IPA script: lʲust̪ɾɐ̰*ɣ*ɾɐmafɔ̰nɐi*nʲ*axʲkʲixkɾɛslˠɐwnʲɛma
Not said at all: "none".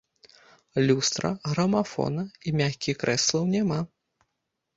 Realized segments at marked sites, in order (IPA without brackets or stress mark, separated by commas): ɣ, mʲ